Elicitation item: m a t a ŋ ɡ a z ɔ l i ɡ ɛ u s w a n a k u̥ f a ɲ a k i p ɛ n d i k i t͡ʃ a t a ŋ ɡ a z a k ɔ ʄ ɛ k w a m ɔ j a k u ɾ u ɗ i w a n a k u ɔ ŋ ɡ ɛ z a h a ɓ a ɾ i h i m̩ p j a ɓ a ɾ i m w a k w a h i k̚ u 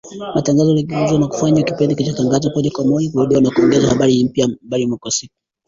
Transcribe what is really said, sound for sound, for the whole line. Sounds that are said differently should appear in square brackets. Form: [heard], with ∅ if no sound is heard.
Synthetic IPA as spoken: m a t a ŋ ɡ a z ɔ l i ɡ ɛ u [z] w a n a k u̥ f a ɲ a k i p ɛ n d i k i t͡ʃ a t a ŋ ɡ a z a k ɔ ʄ [a] k w a m ɔ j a k u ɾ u ɗ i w a n a k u ɔ ŋ ɡ ɛ z a h a ɓ a ɾ i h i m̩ p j a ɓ a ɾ i m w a k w a [s] i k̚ u